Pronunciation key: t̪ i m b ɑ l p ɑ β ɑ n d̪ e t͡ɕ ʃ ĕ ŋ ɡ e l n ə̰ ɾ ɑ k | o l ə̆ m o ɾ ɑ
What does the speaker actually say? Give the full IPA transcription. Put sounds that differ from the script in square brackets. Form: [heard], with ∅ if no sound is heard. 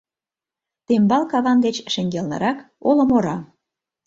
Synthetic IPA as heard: t̪ [e] m b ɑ l [k] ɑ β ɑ n d̪ e t͡ɕ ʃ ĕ ŋ ɡ e l n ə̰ ɾ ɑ k | o l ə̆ m o ɾ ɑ